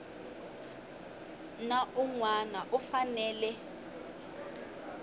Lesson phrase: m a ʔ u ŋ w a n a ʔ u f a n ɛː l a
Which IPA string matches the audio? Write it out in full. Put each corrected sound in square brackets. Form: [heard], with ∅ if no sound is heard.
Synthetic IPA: [n] a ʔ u ŋ w a n a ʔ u f a n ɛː l [ɛ]

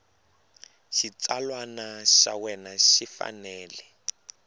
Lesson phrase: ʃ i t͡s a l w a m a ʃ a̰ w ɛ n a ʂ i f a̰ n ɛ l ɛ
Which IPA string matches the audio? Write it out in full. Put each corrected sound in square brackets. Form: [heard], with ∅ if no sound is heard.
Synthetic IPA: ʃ i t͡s a l w a [n] a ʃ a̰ w ɛ n a [ʃ] i f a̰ n [ɛː] l ɛ

